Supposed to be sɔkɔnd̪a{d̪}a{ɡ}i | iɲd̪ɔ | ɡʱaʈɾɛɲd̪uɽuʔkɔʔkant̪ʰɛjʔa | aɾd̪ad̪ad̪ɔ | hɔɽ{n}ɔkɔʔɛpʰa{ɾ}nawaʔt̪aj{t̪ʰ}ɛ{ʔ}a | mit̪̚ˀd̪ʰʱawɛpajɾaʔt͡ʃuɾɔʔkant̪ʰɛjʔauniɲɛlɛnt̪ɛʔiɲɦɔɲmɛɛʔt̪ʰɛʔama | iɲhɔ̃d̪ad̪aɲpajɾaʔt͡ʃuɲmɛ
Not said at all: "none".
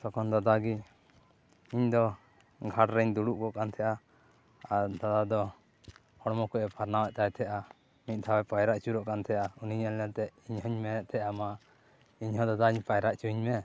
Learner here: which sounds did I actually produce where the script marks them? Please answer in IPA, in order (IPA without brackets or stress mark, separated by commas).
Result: d̪, ɡ, m, ɾ, t̪ʰ, ʔ